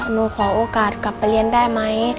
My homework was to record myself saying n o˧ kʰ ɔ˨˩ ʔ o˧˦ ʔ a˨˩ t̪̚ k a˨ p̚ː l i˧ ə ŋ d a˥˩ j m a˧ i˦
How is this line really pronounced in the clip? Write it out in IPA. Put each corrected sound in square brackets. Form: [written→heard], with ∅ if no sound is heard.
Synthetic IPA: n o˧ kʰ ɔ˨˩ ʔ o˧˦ [ʔ→k] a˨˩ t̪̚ k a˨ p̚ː l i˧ ə [ŋ→n] d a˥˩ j m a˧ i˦